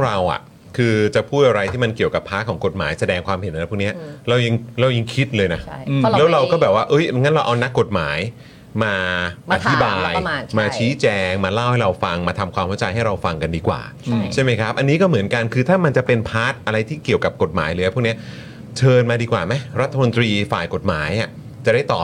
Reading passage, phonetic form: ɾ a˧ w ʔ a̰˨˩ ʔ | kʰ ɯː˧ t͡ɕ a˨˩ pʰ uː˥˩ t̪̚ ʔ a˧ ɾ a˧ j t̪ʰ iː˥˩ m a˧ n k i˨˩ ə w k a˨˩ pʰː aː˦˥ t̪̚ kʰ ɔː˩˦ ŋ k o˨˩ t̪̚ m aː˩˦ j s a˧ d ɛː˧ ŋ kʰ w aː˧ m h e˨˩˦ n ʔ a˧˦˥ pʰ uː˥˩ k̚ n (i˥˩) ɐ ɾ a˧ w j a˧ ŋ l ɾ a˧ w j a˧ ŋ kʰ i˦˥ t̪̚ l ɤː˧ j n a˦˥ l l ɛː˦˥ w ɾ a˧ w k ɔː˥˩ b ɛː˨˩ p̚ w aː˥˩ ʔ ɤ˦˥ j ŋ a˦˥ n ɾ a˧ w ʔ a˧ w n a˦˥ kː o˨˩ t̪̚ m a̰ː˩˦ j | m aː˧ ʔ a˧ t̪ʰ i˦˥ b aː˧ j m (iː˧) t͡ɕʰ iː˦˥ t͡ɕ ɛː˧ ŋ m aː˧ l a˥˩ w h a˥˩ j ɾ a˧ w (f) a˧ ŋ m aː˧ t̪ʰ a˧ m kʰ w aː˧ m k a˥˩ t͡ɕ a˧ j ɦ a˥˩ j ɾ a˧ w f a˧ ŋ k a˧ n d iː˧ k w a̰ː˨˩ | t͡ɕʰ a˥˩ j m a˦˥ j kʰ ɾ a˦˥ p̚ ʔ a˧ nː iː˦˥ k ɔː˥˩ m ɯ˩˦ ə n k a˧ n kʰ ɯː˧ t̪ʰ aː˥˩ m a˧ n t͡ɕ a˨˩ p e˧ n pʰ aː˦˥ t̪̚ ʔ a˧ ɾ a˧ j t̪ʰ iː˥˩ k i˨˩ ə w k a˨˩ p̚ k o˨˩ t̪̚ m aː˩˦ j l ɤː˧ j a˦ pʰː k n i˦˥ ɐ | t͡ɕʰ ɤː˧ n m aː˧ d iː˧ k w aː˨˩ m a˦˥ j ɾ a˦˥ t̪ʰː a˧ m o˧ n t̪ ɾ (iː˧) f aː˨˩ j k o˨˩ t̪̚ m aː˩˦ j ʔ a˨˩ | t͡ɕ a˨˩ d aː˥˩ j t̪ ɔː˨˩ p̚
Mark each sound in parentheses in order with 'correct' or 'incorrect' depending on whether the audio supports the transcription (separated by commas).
incorrect, incorrect, correct, correct